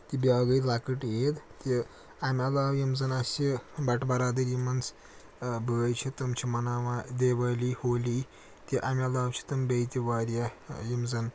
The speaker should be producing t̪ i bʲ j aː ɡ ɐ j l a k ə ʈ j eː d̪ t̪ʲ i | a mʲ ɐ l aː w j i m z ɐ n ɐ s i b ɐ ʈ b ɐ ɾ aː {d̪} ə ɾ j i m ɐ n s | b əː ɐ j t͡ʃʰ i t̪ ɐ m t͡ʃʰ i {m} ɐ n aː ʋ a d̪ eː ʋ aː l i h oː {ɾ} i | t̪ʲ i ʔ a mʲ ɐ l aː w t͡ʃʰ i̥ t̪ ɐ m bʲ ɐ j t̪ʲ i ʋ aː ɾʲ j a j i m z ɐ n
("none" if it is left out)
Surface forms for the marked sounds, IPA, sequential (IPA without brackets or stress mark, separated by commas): d̪, m, l